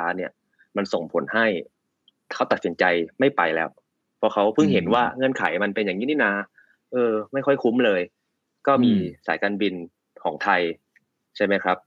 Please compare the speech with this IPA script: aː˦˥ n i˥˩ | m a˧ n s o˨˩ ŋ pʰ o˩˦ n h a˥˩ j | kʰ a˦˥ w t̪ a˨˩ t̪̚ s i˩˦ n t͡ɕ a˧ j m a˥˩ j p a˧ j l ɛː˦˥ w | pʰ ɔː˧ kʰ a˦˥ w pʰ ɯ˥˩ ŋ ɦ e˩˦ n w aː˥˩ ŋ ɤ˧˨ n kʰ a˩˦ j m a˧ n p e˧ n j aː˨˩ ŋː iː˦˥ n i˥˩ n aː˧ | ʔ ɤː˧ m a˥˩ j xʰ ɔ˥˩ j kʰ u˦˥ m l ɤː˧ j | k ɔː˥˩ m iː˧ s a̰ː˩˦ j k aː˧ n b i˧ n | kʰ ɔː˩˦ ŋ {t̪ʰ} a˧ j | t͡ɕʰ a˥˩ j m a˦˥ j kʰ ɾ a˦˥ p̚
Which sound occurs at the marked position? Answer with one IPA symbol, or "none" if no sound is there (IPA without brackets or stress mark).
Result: t̪ʰ